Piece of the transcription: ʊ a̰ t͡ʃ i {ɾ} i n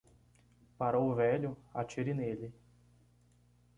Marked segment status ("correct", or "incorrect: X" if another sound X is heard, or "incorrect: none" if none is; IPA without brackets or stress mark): correct